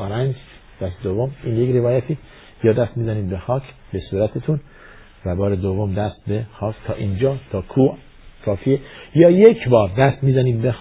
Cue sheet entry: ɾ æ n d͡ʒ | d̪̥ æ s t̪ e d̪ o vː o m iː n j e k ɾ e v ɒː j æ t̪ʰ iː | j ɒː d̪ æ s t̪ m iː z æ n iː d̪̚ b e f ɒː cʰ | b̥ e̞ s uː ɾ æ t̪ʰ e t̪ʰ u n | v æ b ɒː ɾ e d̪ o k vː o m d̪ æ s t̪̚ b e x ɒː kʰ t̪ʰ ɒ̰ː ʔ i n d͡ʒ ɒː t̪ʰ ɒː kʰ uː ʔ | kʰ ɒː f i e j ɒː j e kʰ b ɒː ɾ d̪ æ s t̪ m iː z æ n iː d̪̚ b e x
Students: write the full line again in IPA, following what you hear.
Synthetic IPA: ɾ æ n d͡ʒ | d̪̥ æ s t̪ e d̪ o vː o m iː n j e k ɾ e v ɒː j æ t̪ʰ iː | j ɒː d̪ æ s t̪ m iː z æ n iː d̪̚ b e x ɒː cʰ | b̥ e̞ s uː ɾ æ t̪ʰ e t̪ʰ u n | v æ b ɒː ɾ e d̪ o vː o m d̪ æ s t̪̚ b e x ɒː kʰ t̪ʰ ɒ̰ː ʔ i n d͡ʒ ɒː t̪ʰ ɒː kʰ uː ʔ | kʰ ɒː f i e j ɒː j e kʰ b ɒː ɾ d̪ æ s t̪ m iː z æ n iː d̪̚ b e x